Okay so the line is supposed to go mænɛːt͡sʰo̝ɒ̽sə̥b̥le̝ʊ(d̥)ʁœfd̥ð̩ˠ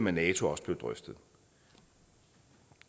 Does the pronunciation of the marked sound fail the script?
no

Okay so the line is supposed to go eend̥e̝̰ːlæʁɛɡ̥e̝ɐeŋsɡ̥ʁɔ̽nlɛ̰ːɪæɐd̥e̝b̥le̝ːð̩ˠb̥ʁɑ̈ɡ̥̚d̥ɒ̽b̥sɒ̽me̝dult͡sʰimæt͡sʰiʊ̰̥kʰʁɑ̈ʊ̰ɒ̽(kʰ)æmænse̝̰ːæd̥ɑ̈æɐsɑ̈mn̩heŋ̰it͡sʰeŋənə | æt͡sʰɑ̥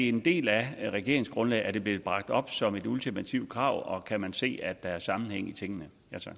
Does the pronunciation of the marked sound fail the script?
no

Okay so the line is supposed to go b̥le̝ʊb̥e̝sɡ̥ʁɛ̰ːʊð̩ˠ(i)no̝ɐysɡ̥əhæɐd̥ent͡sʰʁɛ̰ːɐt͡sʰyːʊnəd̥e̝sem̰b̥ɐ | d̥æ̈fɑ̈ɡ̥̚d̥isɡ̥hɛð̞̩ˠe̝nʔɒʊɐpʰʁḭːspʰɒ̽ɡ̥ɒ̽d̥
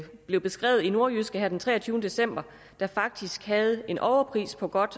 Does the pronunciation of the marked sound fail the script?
no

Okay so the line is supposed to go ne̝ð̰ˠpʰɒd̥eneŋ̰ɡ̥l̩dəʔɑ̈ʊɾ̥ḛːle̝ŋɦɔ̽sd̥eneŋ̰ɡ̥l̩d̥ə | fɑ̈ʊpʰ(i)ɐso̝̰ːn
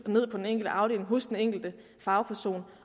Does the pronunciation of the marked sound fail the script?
yes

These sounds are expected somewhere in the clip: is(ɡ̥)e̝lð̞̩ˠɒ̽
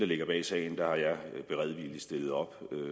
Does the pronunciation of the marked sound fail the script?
yes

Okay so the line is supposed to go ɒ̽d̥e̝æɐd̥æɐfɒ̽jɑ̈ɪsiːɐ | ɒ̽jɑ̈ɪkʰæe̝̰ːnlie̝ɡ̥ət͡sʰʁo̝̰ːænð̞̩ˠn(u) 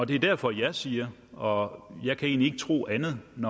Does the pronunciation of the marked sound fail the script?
yes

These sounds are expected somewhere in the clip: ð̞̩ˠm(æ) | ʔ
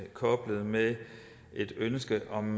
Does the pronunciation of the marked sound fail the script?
yes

